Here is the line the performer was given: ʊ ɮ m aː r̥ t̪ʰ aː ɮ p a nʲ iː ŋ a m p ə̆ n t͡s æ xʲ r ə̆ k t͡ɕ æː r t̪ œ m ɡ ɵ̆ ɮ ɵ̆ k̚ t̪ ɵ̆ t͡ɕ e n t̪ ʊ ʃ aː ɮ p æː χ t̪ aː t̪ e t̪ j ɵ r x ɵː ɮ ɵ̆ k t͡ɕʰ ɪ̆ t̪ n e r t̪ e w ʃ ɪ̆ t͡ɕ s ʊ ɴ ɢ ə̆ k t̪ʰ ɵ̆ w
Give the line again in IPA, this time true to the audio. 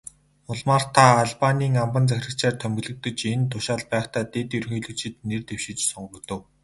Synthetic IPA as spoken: ʊ ɮ m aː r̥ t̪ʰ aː ɮ p a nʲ iː ŋ a m p ə̆ n t͡s æ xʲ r ə̆ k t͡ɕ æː r t̪ʰ œ m ɡ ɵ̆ ɮ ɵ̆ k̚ t̪ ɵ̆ t͡ɕ e n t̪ ʊ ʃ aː ɮ p æː χ t̪ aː t̪ e t̪ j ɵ r x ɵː ɮ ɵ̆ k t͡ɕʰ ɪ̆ t̪ n e r t̪ e w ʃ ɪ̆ t͡ɕ s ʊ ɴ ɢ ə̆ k t̪ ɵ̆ w